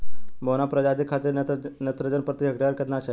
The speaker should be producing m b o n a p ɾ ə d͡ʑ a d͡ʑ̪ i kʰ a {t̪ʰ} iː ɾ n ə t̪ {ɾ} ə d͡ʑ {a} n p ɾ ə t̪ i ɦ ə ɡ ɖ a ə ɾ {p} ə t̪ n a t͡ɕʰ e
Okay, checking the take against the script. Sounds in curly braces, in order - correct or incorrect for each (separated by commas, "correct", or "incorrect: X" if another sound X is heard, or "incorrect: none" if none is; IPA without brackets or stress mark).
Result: incorrect: t̪, correct, incorrect: ə, incorrect: k